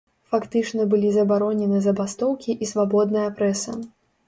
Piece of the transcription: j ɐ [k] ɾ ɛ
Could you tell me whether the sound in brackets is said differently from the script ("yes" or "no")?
yes